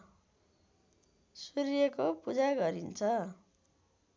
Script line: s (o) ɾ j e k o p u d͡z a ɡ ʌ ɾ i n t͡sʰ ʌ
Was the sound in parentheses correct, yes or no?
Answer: no